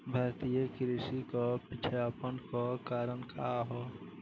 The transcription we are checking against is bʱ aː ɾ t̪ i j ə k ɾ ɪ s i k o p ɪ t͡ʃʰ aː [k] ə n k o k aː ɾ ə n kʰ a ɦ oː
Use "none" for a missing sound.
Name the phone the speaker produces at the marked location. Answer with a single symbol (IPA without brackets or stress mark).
p